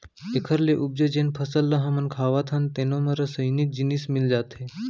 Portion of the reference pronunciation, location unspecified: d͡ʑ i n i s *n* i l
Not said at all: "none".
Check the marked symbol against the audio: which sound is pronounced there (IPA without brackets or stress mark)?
m